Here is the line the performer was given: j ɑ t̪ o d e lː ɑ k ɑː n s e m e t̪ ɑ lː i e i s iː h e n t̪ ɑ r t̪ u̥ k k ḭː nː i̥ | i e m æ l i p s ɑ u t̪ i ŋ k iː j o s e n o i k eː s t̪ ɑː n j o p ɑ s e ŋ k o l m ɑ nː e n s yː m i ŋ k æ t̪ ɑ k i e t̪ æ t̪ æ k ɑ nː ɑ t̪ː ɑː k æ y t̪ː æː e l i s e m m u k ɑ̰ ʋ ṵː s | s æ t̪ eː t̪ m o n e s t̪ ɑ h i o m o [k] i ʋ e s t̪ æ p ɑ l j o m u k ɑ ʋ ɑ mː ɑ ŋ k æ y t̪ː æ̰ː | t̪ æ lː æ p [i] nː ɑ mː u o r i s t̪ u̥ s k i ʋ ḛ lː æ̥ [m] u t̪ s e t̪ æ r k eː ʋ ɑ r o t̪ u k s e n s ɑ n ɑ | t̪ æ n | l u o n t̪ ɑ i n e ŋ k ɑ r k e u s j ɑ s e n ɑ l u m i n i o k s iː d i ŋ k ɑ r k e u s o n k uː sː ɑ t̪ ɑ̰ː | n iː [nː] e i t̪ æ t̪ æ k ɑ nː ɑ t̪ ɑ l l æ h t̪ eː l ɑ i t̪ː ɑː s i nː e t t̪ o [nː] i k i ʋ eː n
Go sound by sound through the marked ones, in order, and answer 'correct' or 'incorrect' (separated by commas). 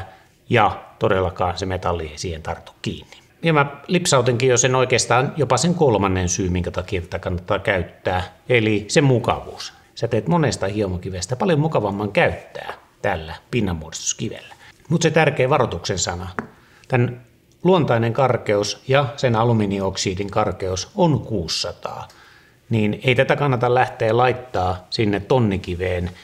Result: correct, correct, correct, incorrect, correct